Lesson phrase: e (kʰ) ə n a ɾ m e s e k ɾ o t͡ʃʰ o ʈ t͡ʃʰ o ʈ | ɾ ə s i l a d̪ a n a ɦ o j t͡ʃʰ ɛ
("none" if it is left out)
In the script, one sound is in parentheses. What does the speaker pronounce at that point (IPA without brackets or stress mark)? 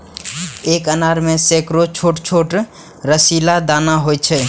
k